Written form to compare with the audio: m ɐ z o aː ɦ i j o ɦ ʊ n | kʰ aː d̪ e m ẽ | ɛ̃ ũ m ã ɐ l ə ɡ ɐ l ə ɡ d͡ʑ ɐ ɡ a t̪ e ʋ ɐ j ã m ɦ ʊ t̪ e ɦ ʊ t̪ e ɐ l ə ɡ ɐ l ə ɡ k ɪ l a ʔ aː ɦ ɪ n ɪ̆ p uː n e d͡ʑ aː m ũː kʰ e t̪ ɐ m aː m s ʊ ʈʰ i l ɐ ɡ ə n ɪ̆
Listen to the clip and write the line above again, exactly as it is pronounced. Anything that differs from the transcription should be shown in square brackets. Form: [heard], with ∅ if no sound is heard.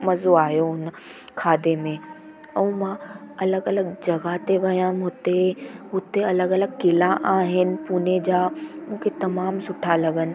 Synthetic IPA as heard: m ɐ z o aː ɦ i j o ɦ ʊ n | kʰ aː d̪ e m ẽ | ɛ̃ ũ m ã ɐ l ə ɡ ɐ l ə ɡ d͡ʑ ɐ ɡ a t̪ e ʋ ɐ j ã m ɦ ʊ t̪ e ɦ ʊ t̪ e ɐ l ə ɡ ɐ l ə ɡ k ɪ l a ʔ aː ɦ ɪ n ɪ̆ p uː n e d͡ʑ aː m ũː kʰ e t̪ ɐ m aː m s ʊ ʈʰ [a] l ɐ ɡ ə n ɪ̆